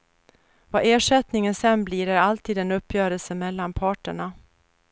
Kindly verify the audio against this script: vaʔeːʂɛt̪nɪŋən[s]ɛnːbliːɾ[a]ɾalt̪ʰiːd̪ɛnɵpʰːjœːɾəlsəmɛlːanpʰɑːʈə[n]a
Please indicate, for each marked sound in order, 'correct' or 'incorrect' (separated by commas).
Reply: correct, incorrect, incorrect